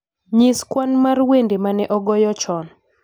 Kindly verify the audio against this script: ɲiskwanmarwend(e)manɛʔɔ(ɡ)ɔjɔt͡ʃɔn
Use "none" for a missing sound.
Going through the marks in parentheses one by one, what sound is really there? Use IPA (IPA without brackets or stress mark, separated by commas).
e, ɡ